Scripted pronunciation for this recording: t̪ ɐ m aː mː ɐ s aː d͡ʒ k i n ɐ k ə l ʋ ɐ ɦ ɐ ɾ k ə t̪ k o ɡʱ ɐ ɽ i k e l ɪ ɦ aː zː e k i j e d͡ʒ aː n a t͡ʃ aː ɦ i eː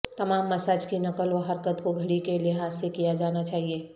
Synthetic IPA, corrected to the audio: t̪ ɐ m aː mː ɐ s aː d͡ʒ k i n ɐ k ə l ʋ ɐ ɦ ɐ ɾ k ə t̪ k o ɡʱ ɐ ɽ i k e l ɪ ɦ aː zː e k i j a d͡ʒ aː n a t͡ʃ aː ɦ i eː